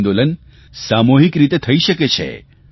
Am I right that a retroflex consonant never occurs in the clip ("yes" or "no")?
yes